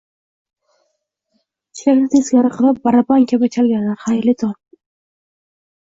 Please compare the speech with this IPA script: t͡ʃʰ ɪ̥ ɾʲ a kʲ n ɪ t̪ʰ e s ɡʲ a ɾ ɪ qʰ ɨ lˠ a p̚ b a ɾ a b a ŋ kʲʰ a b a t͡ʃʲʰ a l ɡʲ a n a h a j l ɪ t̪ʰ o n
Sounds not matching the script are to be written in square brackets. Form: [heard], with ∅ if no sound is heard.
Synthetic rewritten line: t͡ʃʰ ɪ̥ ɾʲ a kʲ n ɪ t̪ʰ e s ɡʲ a ɾ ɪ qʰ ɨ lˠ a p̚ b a ɾ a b a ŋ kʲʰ a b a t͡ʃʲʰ a l ɡʲ a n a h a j l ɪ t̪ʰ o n